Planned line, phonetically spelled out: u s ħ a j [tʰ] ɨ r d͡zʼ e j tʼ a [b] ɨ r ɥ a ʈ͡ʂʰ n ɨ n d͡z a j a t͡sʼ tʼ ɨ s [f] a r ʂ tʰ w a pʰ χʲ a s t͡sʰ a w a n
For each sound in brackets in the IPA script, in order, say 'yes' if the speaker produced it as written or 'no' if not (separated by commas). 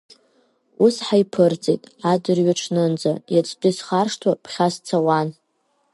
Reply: no, no, no